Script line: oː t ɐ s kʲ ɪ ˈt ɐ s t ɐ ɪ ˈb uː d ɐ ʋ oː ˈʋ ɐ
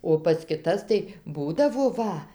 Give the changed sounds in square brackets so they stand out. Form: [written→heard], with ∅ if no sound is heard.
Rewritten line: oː [t→p] ɐ s kʲ ɪ ˈt ɐ s t ɐ ɪ ˈb uː d ɐ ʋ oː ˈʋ ɐ